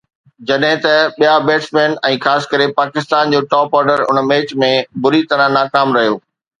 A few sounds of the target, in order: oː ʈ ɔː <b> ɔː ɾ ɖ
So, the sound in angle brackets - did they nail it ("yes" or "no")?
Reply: no